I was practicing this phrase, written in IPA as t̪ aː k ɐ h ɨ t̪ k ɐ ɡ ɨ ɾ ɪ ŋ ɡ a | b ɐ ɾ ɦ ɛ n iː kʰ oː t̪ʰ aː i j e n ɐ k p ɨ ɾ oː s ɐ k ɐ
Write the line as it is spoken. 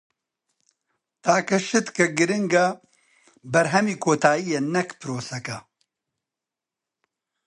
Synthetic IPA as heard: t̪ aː k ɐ ʃ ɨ t̪ k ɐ ɡ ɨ ɾ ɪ ŋ ɡ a | b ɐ ɾ ɦ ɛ m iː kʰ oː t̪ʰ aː i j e n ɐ k p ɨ ɾ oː s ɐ k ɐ